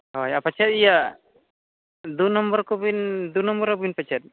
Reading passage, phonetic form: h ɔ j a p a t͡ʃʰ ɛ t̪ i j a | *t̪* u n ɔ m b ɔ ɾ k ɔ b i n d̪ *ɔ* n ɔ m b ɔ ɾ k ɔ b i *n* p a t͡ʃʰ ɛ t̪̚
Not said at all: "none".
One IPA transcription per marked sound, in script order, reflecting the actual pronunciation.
d̪, u, n

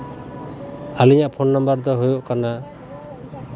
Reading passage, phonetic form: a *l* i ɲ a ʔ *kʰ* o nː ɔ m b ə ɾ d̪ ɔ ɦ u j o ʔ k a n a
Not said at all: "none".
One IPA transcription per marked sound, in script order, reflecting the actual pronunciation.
l, pʰ

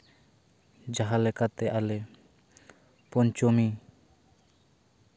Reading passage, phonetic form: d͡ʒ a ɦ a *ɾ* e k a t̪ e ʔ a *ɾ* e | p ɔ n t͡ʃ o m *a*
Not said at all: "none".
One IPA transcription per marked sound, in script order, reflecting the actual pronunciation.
l, l, i

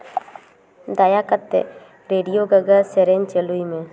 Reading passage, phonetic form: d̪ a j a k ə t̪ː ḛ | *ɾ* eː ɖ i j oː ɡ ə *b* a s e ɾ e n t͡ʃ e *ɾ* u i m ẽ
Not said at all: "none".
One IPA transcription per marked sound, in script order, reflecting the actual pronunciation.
ɾ, ɡ, l

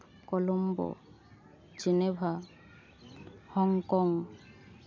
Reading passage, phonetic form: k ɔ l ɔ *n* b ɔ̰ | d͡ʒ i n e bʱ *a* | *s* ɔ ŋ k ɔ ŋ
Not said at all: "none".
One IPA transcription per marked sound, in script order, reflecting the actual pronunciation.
m, a, h

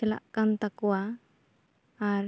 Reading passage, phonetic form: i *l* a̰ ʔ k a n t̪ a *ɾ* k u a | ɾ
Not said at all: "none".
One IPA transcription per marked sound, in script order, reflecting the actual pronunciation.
l, none

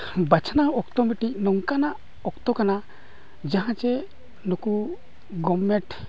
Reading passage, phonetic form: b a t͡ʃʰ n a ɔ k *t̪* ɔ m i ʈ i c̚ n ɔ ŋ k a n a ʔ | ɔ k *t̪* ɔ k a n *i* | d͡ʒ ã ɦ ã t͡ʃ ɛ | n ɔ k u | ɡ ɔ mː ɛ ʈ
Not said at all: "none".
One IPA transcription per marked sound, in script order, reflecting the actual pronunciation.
t̪, t̪, a

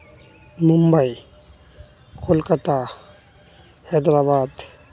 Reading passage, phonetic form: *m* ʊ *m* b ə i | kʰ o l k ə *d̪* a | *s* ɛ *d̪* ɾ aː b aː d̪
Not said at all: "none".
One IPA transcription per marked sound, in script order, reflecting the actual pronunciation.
m, m, t̪, h, d̪

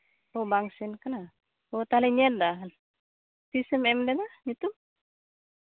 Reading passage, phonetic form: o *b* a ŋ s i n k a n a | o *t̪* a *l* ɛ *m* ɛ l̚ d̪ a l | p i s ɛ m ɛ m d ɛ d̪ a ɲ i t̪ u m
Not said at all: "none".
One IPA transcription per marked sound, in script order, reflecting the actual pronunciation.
b, t̪, l, ɲ

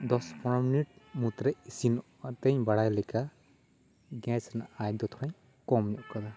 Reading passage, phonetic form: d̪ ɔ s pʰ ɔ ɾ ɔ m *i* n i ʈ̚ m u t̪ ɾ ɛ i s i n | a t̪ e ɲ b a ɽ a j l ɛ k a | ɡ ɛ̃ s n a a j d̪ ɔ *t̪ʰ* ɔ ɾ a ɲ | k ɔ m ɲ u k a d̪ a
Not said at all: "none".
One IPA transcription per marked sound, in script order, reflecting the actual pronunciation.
i, t̪ʰ

